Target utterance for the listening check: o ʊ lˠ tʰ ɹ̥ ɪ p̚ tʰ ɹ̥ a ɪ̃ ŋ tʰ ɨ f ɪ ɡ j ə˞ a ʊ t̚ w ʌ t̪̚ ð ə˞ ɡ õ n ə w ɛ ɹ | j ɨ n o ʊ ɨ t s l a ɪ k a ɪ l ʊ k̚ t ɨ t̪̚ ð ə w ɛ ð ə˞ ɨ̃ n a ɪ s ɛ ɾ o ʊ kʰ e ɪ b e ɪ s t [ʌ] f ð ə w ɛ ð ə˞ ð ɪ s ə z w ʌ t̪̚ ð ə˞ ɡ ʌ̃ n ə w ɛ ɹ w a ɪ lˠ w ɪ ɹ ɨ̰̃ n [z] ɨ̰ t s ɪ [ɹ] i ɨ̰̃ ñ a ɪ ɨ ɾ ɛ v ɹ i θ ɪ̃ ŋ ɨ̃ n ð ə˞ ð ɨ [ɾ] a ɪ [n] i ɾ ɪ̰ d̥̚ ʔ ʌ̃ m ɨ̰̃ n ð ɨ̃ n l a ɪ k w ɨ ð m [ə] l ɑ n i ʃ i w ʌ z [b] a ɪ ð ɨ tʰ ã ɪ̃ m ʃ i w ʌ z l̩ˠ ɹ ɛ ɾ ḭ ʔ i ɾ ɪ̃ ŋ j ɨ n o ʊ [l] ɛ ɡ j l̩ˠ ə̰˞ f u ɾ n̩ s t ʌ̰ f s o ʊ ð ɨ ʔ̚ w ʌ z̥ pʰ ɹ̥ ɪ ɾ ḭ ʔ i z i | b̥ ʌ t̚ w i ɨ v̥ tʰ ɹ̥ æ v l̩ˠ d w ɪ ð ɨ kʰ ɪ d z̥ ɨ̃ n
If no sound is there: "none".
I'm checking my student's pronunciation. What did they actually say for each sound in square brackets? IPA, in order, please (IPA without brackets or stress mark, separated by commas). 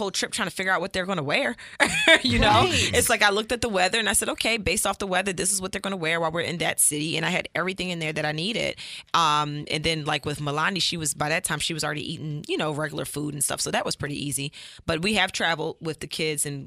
ɔ, ð, ɾ, ɾ, n, ə, b, ɹ